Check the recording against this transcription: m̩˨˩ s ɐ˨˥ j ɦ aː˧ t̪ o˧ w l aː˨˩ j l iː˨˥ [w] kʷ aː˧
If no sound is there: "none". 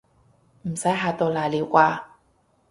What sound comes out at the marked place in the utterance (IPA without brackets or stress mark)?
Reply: w